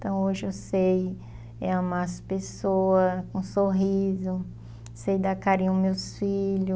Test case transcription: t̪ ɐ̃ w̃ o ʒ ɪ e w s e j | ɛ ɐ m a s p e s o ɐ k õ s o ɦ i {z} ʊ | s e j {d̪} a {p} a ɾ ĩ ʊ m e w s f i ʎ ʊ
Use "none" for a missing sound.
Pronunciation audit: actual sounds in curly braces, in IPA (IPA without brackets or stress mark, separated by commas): z, d̪, k